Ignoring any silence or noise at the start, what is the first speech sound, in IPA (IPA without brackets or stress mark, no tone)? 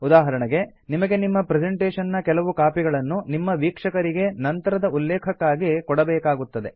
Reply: u